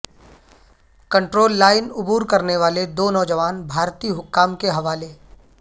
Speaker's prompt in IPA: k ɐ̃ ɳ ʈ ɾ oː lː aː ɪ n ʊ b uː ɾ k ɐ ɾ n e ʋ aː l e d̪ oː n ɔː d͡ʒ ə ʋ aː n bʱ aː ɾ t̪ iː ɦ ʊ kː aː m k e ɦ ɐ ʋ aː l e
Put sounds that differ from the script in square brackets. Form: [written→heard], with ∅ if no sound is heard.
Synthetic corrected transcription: k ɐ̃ ɳ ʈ ɾ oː lː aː ɪ n ʊ b uː ɾ k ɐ ɾ n e ʋ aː l e d̪ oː n ɔː d͡ʒ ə ʋ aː n bʱ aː ɾ t̪ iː ɦ ʊ kː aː m k e ɦ ɐ ʋ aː l e